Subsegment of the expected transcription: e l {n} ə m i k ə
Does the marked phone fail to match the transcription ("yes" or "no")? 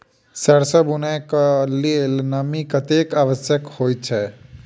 no